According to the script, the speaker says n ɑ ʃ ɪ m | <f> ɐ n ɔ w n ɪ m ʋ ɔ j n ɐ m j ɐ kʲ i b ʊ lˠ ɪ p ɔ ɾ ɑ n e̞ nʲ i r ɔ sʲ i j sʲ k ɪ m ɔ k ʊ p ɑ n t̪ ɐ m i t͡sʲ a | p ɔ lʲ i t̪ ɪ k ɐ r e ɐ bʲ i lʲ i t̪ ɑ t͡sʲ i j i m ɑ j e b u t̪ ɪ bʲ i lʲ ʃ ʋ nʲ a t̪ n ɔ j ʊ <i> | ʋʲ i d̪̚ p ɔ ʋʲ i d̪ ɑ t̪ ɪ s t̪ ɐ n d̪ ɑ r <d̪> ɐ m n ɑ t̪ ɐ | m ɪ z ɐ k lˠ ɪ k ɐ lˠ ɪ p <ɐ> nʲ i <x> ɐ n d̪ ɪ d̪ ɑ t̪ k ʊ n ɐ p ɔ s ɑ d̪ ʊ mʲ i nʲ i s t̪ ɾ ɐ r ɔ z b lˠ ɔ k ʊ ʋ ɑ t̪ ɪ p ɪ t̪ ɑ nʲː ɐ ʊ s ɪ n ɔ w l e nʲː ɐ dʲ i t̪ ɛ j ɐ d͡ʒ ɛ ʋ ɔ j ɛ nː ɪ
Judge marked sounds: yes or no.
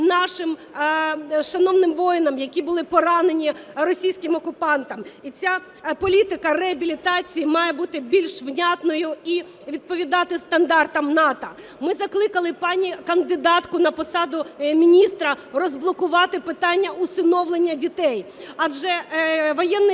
no, yes, no, no, no

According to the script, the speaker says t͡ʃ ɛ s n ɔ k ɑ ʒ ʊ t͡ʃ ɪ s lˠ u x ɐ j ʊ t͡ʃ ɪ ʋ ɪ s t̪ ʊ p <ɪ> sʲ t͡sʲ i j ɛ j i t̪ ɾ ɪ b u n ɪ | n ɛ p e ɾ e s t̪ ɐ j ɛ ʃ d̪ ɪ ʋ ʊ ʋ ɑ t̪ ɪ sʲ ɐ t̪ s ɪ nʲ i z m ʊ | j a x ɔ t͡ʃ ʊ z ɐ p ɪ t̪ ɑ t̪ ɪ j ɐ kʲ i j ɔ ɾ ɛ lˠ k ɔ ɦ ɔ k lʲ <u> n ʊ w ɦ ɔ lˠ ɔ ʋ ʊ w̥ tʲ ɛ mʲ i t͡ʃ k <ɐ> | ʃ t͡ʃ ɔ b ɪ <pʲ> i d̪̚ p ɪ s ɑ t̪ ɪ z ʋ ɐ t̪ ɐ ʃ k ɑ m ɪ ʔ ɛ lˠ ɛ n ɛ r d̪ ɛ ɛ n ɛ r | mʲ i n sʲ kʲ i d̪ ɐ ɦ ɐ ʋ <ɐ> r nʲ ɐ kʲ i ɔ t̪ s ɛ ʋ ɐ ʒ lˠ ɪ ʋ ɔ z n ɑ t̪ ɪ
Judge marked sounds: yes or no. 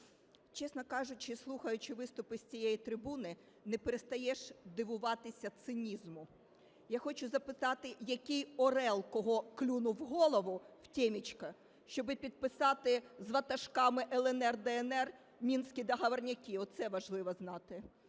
yes, yes, yes, yes, yes

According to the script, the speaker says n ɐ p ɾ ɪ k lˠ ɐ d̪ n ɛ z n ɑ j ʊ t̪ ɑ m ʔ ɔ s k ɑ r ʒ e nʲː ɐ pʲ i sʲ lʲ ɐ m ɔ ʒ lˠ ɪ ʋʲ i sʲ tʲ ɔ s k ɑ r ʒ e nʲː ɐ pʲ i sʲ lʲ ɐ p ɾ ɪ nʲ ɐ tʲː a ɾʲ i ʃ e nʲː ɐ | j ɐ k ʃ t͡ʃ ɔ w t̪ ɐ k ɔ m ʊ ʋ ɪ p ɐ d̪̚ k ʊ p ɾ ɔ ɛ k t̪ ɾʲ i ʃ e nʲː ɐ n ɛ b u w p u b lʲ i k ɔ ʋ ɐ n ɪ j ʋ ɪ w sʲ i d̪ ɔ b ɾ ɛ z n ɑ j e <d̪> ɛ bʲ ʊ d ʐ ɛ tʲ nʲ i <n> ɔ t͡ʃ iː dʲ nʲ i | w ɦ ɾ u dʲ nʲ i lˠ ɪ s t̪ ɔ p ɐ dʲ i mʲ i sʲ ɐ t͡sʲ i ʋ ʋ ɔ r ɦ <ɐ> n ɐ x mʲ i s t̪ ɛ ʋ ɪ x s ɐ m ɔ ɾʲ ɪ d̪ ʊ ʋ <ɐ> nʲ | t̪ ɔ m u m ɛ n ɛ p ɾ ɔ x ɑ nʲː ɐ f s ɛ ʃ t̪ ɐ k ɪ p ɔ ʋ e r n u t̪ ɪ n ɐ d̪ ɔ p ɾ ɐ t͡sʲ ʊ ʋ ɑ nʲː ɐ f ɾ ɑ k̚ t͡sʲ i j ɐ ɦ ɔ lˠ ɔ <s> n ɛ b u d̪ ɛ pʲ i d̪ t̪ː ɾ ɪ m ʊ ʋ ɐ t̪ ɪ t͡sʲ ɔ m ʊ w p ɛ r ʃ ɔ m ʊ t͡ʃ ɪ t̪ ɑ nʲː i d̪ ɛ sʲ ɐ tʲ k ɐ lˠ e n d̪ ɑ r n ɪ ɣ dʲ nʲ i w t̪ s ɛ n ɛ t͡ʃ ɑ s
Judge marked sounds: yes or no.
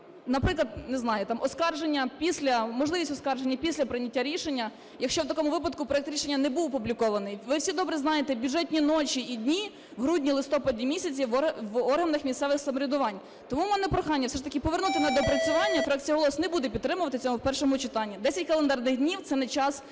no, yes, yes, no, yes

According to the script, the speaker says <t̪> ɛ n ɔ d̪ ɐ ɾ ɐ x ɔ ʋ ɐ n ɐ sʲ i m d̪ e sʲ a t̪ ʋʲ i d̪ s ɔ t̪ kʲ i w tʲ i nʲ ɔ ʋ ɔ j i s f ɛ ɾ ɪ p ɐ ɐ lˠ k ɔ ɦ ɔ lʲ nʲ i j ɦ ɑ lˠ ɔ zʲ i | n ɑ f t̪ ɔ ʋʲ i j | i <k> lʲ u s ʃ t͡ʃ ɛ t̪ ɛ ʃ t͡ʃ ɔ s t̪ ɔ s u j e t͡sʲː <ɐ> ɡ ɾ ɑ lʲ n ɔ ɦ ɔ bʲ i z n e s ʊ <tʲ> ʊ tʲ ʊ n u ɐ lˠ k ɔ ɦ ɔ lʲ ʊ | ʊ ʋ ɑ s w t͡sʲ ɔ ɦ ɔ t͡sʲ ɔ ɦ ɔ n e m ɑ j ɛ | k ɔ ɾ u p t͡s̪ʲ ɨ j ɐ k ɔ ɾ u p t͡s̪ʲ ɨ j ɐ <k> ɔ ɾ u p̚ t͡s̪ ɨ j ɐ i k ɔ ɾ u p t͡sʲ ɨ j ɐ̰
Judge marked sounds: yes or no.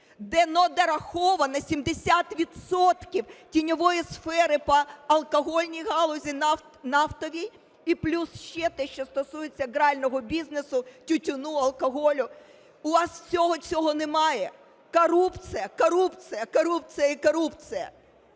no, no, yes, yes, yes

